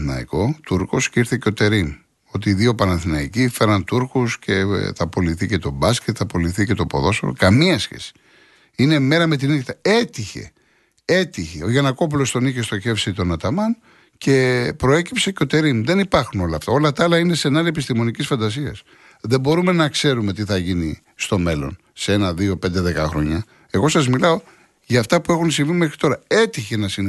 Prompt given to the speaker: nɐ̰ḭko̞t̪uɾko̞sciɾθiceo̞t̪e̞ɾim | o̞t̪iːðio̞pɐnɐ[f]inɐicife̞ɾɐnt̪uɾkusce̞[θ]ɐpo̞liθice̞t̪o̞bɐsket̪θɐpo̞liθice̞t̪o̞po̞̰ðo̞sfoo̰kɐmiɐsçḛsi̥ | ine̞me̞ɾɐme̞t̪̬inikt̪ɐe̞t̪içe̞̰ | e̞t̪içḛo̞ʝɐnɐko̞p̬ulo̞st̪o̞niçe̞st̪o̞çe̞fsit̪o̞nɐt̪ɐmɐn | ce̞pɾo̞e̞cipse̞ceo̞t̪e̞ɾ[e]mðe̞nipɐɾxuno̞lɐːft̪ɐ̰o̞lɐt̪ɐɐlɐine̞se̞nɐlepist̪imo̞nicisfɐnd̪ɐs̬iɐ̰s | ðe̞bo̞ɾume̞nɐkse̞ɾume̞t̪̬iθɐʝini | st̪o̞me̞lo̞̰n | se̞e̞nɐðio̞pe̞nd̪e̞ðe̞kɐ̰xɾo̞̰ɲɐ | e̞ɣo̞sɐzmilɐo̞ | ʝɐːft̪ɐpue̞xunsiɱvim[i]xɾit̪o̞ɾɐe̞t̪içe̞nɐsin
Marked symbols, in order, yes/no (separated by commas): no, yes, no, no